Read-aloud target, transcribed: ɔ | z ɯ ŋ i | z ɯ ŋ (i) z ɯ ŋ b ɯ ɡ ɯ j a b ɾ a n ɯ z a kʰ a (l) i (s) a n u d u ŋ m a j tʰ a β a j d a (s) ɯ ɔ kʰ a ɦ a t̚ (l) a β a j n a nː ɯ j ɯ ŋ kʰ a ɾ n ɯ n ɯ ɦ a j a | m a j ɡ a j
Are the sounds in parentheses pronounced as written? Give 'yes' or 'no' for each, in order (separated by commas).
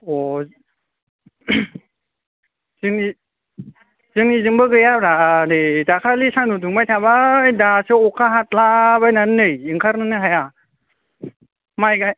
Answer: yes, yes, yes, yes, yes